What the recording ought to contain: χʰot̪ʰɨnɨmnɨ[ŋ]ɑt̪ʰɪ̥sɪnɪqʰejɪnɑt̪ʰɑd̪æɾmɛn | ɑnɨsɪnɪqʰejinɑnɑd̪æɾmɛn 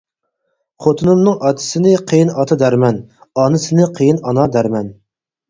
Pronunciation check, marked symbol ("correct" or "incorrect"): correct